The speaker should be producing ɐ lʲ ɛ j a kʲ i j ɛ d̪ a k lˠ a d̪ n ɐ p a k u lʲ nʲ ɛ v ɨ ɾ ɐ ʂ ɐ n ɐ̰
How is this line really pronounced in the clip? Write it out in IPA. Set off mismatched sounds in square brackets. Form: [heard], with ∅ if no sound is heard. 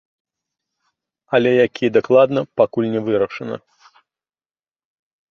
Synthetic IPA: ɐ lʲ ɛ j a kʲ i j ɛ d̪ a k lˠ a d̪ n ɐ p a k u lʲ nʲ ɛ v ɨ ɾ ɐ ʂ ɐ n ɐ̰